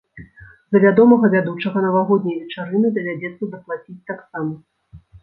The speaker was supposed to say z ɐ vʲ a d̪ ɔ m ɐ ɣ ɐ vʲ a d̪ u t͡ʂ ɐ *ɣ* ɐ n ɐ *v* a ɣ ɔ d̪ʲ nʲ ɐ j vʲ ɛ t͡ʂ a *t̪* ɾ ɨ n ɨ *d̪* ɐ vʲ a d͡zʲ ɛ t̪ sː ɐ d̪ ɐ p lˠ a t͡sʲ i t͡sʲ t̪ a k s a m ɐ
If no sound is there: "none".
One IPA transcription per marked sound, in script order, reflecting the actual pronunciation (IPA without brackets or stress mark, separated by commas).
ɣ, v, none, d̪